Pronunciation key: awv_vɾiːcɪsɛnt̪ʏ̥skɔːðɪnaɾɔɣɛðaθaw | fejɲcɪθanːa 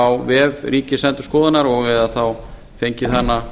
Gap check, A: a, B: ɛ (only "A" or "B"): B